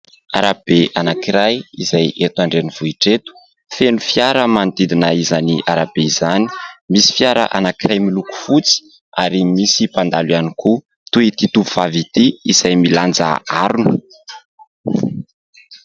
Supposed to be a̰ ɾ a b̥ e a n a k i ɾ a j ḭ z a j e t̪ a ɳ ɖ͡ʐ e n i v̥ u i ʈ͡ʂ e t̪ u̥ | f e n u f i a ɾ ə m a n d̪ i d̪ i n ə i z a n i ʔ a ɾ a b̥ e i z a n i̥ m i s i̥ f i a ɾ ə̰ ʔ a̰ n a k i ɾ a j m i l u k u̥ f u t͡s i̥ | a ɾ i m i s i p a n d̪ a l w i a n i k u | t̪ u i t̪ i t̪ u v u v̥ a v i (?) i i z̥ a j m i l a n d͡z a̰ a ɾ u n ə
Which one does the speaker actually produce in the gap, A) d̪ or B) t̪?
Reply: B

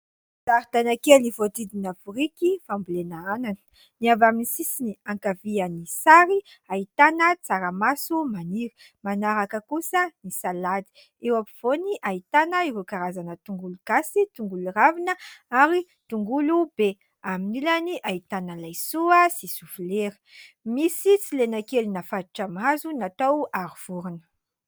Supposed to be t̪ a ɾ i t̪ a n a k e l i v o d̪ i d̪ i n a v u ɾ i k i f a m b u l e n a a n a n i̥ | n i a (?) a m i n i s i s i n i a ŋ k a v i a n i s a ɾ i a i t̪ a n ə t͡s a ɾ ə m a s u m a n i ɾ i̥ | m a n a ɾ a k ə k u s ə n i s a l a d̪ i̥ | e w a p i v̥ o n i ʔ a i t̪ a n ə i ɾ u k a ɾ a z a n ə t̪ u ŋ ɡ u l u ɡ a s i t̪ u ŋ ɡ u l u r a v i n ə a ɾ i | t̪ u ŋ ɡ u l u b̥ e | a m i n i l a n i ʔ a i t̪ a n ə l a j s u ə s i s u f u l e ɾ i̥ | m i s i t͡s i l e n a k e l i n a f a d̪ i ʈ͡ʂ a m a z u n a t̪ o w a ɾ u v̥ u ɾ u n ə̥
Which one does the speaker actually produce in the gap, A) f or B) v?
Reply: B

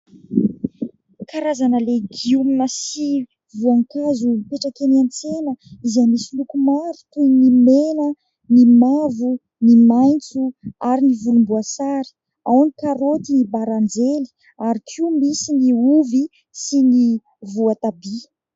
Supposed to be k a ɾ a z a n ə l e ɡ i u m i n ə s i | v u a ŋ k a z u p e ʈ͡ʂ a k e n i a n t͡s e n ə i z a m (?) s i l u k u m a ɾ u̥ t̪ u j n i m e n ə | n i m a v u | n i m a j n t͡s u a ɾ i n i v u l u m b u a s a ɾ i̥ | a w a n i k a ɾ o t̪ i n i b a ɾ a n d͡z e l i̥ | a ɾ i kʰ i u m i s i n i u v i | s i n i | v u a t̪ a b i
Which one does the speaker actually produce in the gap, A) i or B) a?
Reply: A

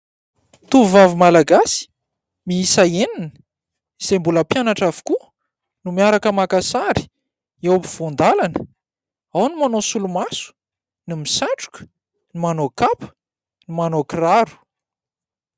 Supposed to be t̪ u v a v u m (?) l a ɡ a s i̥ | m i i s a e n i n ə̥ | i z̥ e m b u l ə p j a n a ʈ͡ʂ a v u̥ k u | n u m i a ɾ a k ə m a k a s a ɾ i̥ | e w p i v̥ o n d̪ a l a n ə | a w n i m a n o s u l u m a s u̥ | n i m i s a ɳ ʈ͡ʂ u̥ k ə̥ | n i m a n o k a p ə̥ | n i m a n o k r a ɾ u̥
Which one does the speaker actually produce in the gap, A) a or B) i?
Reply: A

